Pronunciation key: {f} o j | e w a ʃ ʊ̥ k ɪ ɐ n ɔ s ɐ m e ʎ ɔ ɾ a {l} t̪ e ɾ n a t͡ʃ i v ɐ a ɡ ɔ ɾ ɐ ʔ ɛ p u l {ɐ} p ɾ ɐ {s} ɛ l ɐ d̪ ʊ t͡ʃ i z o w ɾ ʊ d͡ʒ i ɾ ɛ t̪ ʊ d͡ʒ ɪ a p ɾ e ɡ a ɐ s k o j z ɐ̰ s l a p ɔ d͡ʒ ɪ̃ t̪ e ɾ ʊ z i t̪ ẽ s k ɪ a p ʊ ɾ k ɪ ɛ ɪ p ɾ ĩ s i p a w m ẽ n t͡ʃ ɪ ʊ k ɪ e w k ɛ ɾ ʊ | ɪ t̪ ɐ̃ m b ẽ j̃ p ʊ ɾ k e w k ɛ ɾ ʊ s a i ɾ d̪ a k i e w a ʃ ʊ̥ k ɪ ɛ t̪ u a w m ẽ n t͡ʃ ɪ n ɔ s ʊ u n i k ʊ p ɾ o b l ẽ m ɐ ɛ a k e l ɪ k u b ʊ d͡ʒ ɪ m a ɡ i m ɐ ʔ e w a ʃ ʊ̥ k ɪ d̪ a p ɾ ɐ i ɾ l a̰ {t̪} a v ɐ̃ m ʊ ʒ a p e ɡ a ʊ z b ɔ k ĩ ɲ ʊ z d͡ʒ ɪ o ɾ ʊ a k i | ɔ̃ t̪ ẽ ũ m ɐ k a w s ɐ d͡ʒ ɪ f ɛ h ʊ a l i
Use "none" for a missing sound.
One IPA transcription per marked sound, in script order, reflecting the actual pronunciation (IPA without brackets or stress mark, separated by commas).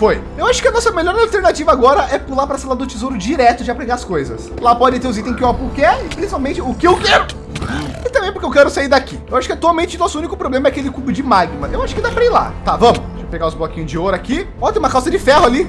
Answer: f, l, a, s, t̪